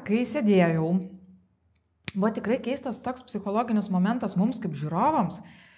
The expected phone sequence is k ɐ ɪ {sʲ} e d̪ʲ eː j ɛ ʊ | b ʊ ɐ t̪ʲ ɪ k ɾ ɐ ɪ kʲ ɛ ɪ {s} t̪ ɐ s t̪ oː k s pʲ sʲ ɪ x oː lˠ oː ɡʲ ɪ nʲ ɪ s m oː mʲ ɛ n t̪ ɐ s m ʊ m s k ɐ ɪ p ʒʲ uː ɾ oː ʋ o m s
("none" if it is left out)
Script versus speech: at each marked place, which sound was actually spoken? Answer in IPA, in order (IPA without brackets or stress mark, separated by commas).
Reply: sʲ, s